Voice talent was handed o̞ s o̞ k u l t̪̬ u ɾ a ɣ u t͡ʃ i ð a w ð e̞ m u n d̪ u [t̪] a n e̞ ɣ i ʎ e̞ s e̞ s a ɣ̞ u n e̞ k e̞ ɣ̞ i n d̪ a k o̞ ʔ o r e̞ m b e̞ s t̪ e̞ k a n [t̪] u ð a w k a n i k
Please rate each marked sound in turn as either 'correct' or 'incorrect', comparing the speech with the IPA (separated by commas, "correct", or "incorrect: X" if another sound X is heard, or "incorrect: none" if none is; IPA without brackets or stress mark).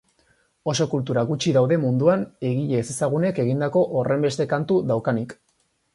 incorrect: none, correct